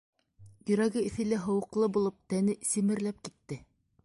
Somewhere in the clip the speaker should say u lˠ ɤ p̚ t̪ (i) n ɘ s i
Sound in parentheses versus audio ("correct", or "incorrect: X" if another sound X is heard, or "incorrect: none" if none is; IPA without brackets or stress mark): incorrect: æ